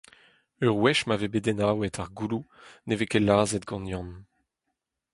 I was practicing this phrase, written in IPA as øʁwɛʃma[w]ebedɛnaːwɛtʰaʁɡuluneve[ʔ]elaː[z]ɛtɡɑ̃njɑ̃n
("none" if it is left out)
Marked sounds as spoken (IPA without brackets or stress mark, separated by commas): v, k, z